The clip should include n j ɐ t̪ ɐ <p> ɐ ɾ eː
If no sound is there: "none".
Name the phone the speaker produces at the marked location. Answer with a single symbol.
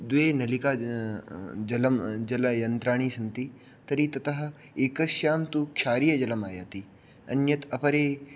p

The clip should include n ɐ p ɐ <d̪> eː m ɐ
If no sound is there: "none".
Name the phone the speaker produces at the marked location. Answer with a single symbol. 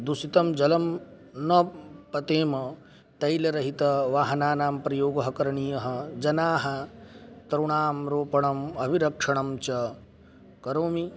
t̪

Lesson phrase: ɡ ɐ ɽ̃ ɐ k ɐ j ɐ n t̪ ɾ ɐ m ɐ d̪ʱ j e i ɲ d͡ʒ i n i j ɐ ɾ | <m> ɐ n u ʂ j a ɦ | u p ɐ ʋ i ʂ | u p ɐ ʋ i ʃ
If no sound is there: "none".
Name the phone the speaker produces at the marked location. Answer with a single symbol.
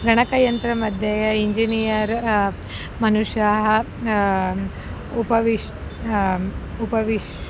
m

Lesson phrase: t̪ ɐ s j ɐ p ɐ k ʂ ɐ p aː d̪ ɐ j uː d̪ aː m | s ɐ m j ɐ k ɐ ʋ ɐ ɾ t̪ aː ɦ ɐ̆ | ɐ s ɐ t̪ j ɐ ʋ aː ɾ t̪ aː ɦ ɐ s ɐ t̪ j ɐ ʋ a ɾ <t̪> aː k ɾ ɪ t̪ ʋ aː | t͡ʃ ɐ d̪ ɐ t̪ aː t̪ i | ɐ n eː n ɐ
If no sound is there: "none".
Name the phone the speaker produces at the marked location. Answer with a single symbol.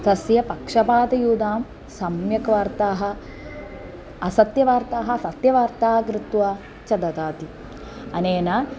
t̪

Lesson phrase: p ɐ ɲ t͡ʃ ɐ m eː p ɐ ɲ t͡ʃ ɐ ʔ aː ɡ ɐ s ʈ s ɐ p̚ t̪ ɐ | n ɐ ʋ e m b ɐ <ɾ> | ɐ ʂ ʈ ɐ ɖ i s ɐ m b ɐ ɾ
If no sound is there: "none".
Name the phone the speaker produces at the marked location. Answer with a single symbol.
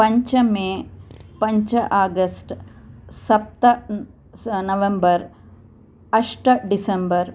ɾ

